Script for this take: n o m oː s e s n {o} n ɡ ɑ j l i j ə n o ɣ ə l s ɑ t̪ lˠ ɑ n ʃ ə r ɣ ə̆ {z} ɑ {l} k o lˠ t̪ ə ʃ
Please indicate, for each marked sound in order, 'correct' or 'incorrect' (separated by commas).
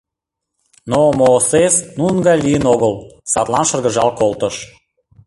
incorrect, incorrect, correct